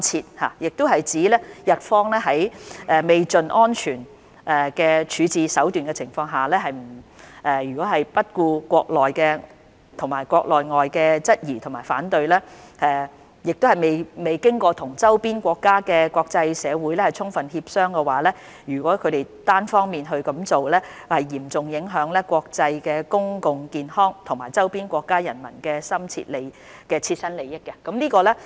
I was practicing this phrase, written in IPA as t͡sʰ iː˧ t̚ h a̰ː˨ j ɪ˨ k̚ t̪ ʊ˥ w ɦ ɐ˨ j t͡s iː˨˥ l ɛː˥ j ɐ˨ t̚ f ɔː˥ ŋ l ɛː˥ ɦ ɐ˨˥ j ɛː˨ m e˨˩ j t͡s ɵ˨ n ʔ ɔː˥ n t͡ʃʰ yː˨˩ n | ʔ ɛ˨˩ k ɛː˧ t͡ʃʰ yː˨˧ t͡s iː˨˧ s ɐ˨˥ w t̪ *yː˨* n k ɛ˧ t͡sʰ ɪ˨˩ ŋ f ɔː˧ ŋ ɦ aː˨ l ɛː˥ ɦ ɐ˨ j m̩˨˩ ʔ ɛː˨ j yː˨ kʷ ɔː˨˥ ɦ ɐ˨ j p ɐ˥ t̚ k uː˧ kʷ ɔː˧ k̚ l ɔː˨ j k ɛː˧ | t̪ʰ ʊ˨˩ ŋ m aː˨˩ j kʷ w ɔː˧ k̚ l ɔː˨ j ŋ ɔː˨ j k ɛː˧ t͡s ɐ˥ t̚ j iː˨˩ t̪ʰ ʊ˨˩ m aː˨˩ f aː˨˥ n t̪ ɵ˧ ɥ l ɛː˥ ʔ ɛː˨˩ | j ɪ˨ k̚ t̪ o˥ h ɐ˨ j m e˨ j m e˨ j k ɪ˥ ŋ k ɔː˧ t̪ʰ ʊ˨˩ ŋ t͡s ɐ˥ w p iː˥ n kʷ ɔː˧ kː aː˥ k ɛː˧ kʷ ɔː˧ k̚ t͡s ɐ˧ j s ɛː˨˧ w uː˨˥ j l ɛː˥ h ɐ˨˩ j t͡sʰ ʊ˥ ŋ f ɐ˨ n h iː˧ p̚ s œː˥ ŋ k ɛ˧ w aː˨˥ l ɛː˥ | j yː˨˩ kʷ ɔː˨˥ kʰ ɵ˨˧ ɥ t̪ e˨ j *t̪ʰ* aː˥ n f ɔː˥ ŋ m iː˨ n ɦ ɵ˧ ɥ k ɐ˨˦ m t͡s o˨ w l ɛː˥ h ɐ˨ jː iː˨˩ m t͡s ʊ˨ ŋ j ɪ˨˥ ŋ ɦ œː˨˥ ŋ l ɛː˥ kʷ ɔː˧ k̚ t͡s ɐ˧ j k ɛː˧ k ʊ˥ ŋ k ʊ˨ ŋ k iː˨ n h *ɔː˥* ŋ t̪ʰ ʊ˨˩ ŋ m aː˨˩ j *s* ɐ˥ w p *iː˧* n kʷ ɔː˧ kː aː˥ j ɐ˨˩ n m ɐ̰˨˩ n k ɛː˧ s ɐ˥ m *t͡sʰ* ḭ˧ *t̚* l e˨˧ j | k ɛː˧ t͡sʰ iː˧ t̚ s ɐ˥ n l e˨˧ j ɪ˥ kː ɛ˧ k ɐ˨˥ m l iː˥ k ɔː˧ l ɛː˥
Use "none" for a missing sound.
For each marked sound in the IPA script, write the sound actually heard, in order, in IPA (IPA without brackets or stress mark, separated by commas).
yː˨, t̪, ɔː˥, t͡s, iː˥, t͡sʰ, t̚